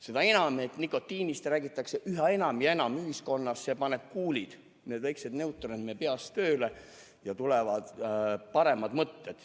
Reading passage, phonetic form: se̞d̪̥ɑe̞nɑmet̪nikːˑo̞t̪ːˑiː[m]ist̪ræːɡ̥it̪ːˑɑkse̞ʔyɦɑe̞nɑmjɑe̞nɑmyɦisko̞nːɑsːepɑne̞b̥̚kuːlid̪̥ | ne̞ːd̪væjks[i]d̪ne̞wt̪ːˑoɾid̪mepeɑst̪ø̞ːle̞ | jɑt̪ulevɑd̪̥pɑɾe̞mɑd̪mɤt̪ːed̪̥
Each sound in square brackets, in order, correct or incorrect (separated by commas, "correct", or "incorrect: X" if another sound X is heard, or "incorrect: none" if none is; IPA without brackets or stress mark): incorrect: n, incorrect: e